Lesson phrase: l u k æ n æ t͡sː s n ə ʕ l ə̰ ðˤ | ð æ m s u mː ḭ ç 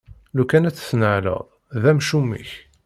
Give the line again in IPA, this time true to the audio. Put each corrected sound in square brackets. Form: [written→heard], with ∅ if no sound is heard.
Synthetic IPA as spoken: l u k æ n æ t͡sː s n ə ʕ l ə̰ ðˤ | ð æ m [s→ʃ] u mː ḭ ç